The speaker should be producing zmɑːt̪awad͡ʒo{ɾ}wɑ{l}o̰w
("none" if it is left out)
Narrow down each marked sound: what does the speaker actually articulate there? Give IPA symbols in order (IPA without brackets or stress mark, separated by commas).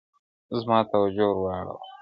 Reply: ɾ, ɽ